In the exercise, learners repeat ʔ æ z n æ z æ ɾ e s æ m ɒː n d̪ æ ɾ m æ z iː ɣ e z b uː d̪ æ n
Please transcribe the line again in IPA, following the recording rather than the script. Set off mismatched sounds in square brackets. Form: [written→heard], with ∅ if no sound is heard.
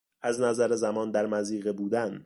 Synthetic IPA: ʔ æ z n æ z æ ɾ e [s→z] æ m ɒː n d̪ æ ɾ m æ z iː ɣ e [z→∅] b uː d̪ æ n